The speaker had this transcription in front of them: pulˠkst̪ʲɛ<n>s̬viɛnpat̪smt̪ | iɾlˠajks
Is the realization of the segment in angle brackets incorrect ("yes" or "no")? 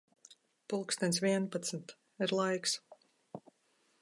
no